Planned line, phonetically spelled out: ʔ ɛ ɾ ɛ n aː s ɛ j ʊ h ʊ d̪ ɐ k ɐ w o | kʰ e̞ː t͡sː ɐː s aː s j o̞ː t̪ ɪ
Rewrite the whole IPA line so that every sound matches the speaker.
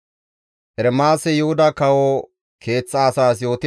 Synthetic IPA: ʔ ɛ ɾ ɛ m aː s ɛ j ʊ h ʊ d̪ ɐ k ɐ w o | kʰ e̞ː t͡sː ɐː s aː s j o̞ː t̪ ɪ